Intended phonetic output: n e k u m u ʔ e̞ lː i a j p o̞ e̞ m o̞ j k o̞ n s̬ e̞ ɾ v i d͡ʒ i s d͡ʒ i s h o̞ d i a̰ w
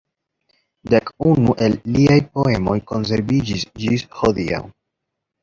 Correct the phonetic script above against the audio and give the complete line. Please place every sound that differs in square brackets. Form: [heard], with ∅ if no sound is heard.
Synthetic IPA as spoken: [d] e k u [n] u ʔ e̞ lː i a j p o̞ e̞ m o̞ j k o̞ n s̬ e̞ ɾ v i d͡ʒ i s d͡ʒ i s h o̞ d i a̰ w